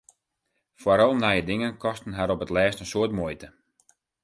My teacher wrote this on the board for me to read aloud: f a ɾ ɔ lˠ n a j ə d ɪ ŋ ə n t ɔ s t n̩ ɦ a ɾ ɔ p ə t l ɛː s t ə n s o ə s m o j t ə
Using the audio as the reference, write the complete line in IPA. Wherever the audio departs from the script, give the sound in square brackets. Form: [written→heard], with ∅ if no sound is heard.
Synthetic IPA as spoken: f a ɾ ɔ lˠ n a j ə d ɪ ŋ ə n [t→k] ɔ s t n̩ ɦ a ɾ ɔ p ə t l ɛː s t ə n s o ə [s→t] m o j t ə

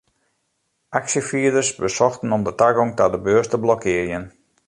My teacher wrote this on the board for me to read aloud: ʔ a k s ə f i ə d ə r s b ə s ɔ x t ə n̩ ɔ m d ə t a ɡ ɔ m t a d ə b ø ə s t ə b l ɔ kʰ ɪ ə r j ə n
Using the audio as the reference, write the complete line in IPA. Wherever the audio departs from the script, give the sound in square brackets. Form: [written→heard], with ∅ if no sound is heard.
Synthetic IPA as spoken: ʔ a k s ə f i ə d ə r s b ə s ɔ x t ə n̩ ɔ m d ə t a ɡ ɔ [m→ŋ] t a d ə b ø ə s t ə b l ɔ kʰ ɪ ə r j ə n

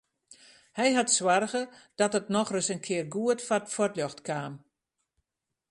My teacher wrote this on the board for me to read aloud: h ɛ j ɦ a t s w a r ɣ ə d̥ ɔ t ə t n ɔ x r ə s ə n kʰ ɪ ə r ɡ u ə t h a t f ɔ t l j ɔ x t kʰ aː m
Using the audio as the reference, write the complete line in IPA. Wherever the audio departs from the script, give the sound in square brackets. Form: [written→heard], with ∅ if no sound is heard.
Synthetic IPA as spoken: h ɛ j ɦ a t s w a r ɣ ə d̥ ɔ t ə t n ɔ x r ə s ə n kʰ ɪ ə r ɡ u ə t [h→f] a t f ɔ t l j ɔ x t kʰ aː m

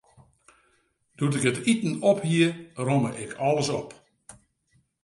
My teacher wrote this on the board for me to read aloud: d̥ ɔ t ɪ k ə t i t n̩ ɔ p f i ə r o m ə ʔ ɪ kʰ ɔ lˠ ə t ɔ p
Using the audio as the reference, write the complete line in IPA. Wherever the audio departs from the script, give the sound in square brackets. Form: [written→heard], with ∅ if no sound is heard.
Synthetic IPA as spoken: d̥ [ɔ→u] t ɪ k ə t i t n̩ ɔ p [f→h] i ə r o m ə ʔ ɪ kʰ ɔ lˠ ə [t→s] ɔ p

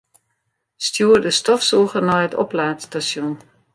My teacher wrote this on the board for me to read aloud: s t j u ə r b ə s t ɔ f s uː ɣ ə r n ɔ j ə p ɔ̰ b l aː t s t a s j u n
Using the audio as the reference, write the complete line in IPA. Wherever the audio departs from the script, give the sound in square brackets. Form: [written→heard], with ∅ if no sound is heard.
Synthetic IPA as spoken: s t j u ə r [b→d] ə s t ɔ f s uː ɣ ə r n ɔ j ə [p→t] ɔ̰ [b→p] l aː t s t a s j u n

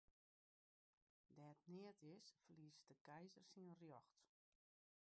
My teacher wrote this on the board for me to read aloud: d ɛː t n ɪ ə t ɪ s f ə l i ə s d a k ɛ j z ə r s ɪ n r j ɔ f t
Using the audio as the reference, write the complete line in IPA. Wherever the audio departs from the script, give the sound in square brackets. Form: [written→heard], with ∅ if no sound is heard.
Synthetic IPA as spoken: d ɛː t n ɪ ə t ɪ s f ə l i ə s d [a→ə] k ɛ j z ə r s [ɪ→i] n r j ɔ [f→x] t

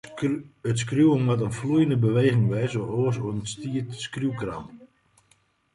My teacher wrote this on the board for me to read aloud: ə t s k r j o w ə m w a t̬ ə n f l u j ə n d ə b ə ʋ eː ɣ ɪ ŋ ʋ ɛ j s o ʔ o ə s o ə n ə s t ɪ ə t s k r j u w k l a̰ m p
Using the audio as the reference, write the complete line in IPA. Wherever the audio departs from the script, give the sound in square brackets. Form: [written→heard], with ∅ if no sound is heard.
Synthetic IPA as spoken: ə t s k r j [o→u] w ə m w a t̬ ə n f l u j ə n d ə b ə ʋ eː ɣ ɪ ŋ ʋ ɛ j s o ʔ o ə s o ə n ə s t [ɪ→i] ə t s k r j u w k [l→r] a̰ m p

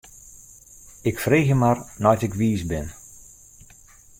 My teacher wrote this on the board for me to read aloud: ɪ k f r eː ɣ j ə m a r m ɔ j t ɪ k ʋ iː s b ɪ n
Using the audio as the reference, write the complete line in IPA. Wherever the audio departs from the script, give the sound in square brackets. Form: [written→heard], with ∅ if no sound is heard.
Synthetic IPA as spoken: ɪ k f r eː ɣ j ə m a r [m→n] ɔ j t ɪ k ʋ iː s b ɪ n

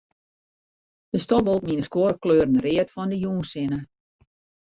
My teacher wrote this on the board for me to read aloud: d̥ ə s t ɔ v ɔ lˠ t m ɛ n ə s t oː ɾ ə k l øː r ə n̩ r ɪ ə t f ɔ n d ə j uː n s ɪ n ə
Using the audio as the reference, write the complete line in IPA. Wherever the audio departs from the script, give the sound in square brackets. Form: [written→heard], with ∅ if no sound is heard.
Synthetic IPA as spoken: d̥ ə s t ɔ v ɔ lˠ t m [ɛ→i] n ə s [t→k] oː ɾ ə k l øː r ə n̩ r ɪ ə t f ɔ n d ə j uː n s ɪ n ə

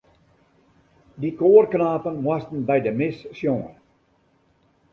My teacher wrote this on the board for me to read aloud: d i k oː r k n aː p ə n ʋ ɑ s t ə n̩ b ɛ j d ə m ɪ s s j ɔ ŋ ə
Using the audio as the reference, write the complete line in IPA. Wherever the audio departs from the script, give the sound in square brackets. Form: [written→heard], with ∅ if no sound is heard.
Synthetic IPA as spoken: d i k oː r k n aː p ə n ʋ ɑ s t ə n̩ b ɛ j d ə m ɪ s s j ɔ ŋ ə

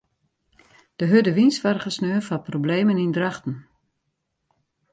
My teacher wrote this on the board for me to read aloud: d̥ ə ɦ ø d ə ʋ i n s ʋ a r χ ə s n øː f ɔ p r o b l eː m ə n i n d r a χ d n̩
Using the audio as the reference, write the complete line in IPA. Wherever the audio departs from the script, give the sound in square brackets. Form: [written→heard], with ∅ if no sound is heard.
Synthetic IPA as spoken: d̥ ə ɦ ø d ə ʋ i n s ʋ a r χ ə s n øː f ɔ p r o b l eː m ə n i n d r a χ [d→t] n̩

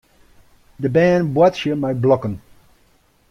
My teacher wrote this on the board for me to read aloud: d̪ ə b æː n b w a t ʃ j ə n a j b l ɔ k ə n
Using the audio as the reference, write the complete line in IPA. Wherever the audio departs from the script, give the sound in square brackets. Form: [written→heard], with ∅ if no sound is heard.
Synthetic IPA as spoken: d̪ ə b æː n b w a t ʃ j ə [n→m] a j b l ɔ k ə n

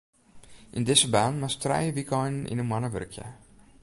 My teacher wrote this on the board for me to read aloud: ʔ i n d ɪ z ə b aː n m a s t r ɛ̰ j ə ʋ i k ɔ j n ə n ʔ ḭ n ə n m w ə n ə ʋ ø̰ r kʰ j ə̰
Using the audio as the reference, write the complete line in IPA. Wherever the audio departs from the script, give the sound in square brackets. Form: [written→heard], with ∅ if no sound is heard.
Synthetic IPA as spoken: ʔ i n d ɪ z ə b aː n m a s t r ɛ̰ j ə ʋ i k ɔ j n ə n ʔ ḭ n ə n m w [ə→a] n ə ʋ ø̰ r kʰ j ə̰

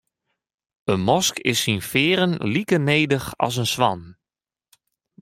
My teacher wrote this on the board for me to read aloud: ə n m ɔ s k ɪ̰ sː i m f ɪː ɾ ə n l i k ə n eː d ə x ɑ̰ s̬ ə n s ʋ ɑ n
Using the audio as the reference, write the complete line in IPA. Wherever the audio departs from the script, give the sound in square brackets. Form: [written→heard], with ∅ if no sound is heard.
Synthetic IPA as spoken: ə n m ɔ s k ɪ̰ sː i [m→n] f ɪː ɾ ə n l i k ə n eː d ə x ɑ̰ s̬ ə n s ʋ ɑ n

